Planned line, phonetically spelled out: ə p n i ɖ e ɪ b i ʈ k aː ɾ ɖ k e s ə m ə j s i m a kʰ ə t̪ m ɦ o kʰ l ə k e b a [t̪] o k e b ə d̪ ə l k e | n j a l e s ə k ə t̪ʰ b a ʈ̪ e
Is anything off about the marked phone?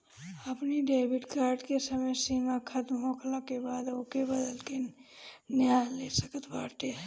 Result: yes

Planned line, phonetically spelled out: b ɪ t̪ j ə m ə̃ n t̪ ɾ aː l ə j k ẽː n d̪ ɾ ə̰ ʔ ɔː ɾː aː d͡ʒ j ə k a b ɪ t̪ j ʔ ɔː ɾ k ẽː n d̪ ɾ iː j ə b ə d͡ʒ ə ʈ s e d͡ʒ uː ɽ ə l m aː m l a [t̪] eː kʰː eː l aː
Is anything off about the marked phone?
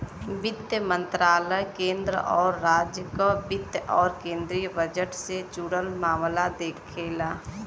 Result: yes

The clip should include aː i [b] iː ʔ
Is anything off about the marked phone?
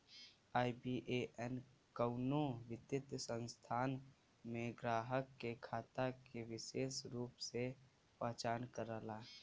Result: no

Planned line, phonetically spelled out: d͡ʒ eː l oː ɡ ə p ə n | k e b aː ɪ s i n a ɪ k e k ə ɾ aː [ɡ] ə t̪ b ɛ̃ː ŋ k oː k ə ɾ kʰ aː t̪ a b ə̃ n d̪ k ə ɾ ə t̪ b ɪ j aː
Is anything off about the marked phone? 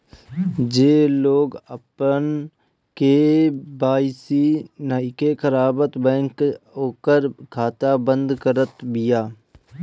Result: yes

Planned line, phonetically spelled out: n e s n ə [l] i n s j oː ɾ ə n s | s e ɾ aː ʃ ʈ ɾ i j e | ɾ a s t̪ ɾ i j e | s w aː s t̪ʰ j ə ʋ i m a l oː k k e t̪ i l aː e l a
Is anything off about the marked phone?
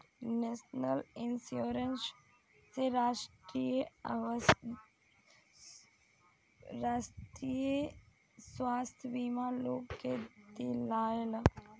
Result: no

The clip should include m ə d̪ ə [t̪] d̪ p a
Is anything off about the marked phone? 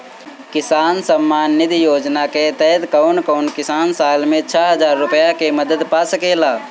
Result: yes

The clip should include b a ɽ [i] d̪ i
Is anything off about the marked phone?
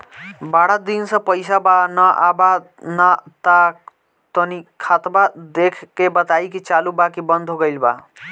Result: yes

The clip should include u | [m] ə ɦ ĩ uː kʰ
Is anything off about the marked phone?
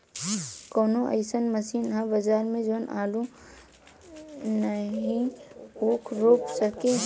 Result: yes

